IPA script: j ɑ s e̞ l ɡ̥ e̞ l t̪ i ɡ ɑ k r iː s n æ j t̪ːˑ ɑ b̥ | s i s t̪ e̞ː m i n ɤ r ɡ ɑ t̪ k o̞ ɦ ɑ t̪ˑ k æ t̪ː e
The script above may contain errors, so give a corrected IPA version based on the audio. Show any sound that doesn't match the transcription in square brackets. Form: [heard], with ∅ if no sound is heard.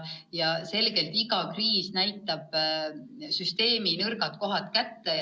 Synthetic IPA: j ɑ s e̞ l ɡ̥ e̞ l t̪ i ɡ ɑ k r iː s n æ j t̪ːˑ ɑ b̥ | s [y] s t̪ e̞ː m i n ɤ r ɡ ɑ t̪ k o̞ ɦ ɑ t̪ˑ k æ t̪ː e